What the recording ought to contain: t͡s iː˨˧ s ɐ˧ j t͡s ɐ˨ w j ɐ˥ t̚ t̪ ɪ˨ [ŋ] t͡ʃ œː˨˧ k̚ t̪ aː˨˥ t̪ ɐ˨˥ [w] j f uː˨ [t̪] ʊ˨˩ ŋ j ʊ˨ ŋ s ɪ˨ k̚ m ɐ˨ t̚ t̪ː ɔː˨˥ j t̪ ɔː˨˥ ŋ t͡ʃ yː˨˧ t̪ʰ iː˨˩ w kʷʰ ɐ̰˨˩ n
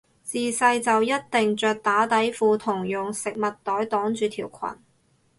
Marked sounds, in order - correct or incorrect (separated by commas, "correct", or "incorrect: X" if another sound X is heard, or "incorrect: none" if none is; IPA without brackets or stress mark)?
correct, incorrect: none, incorrect: t̪ʰ